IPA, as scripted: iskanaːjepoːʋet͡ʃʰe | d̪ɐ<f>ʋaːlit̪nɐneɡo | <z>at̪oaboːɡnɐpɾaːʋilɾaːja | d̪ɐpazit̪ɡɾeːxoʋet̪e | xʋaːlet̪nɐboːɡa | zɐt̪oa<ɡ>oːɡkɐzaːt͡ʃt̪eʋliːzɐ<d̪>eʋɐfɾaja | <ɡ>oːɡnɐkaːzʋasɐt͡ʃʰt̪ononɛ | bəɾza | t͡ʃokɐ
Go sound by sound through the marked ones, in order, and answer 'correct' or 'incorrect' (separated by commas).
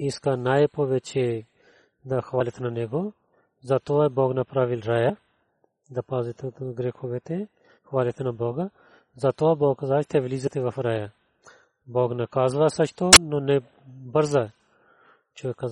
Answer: incorrect, correct, incorrect, incorrect, incorrect